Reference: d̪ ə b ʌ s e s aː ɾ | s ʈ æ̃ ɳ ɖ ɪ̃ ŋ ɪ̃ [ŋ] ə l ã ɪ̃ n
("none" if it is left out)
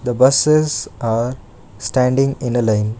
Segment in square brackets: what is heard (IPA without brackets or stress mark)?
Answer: n